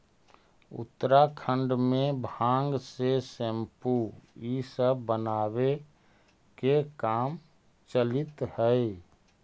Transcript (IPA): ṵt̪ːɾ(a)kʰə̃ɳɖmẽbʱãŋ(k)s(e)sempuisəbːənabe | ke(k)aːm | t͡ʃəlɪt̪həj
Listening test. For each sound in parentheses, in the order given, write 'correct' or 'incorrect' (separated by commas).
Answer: correct, incorrect, correct, correct